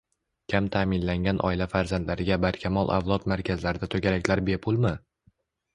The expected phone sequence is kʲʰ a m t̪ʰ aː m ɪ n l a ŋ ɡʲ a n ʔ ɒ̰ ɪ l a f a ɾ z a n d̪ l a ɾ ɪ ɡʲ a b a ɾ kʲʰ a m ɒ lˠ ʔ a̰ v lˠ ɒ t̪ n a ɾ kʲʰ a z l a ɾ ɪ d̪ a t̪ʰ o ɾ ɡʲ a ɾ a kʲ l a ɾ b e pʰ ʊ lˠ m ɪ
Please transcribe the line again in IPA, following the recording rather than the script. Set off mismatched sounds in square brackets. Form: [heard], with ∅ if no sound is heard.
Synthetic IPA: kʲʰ a m t̪ʰ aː m ɪ n l a ŋ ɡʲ a n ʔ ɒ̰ ɪ l a f a ɾ z a n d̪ l a ɾ ɪ ɡʲ a b a ɾ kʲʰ a m ɒ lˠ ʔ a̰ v lˠ ɒ t̪ [m] a ɾ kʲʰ a z l a ɾ ɪ d̪ a t̪ʰ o [∅] ɡʲ a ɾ a kʲ l a ɾ b e pʰ ʊ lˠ m ɪ